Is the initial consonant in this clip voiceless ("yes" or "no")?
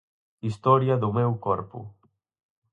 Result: yes